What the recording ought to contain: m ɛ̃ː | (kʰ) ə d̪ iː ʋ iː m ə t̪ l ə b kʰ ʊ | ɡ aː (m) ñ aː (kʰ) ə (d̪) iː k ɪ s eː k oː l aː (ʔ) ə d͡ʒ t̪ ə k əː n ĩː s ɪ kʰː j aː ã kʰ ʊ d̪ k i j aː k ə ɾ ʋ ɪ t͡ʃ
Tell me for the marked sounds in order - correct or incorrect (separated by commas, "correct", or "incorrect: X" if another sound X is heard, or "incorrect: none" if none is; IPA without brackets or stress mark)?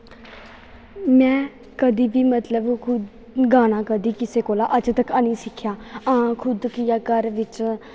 incorrect: k, incorrect: none, incorrect: k, correct, correct